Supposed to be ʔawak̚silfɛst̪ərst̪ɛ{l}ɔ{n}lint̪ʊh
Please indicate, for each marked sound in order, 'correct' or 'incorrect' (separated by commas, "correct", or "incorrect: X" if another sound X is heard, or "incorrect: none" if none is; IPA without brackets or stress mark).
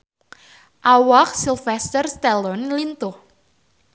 correct, correct